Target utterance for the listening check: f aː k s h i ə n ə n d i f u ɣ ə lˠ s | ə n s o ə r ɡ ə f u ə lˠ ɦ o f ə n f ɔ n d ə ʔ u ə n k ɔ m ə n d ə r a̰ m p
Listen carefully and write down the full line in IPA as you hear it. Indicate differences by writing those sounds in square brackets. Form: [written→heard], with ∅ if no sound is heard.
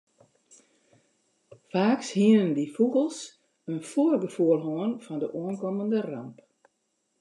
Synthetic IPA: f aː k s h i ə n ə n d i f u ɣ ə lˠ s | ə n [s→f] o ə r ɡ ə f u ə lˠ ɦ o [f→∅] ə n f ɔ n d ə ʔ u ə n k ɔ m ə n d ə r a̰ m p